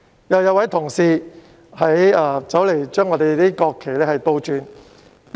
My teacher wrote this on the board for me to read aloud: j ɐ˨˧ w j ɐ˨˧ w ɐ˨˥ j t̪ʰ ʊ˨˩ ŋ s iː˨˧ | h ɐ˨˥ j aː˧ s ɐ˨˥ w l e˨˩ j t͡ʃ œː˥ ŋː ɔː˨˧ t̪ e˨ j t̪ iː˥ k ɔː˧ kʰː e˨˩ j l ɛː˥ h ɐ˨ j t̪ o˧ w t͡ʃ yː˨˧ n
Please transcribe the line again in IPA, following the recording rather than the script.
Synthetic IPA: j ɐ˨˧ w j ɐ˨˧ w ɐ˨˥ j t̪ʰ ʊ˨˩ ŋ s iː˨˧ | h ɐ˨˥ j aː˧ t͡s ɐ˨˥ w l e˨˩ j t͡ʃ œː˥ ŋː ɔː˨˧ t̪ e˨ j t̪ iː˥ k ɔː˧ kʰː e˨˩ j l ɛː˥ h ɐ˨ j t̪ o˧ w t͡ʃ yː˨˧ n

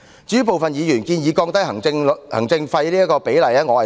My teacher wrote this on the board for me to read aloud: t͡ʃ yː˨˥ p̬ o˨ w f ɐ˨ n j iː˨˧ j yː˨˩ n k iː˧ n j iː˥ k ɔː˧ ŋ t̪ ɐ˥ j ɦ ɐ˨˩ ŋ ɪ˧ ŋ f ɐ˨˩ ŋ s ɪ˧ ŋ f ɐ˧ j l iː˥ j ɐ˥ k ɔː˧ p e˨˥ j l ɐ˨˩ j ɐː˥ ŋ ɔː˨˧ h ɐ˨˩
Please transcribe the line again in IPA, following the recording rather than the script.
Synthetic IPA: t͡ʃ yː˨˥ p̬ o˨ w f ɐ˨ n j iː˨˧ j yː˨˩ n k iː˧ n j iː˨˧ k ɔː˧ ŋ t̪ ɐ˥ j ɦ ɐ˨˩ ŋ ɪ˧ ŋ h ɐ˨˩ ŋ t͡s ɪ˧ ŋ f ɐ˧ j l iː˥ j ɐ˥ k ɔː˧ p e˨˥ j l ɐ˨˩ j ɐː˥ ŋ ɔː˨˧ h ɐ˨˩

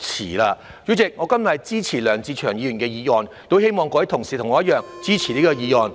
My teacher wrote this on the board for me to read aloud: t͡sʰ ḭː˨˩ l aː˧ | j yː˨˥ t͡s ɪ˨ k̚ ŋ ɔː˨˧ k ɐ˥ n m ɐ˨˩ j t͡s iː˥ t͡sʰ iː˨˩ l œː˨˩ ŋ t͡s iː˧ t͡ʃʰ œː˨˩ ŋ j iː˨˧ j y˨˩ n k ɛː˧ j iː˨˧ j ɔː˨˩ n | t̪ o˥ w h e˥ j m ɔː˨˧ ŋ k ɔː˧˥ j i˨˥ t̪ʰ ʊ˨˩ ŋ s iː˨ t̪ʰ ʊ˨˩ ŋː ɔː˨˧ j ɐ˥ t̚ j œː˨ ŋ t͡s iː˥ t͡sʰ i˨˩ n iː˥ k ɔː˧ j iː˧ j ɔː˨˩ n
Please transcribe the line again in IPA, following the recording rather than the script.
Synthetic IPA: t͡sʰ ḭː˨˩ l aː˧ | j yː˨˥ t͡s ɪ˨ k̚ ŋ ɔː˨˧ k ɐ˥ n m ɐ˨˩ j t͡s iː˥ t͡sʰ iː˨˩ l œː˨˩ ŋ t͡s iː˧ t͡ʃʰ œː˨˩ ŋ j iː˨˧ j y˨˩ n k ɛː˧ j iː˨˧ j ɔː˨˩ n | t̪ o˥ w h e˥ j m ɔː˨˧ ŋ k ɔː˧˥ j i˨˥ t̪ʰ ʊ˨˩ ŋ s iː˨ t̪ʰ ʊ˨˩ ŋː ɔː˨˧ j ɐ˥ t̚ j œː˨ ŋ t͡s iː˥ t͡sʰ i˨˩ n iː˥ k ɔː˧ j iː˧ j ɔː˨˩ n

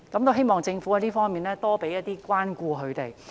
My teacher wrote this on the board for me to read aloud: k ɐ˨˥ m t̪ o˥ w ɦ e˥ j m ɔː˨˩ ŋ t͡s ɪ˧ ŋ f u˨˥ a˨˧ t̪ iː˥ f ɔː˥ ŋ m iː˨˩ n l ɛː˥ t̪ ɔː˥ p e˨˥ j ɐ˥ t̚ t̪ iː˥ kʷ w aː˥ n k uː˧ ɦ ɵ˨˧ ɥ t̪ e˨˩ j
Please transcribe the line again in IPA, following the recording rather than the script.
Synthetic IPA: k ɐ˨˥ m t̪ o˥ w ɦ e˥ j m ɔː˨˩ ŋ t͡s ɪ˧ ŋ f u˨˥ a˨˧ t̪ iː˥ f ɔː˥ ŋ m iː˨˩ n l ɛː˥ t̪ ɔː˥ p e˨˥ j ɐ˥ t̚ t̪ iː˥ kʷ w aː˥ n k uː˧ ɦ ɵ˨˧ ɥ t̪ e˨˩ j

